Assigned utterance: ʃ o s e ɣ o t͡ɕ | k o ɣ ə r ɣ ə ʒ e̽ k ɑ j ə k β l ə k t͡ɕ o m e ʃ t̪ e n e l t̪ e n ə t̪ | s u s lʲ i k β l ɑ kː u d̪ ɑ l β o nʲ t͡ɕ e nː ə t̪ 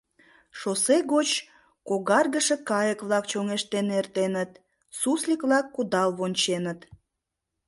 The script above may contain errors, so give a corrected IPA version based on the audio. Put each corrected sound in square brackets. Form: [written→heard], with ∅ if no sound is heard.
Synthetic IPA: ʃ o s e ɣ o t͡ɕ | k o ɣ [ə→ɑ] r ɣ ə [ʒ→ʃ] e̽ k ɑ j ə k β l [ə→ɑ] k t͡ɕ o [m→ŋ] e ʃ t̪ e n e [l→r] t̪ e n ə t̪ | s u s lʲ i k β l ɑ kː u d̪ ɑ l β o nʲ t͡ɕ e [nː→n] ə t̪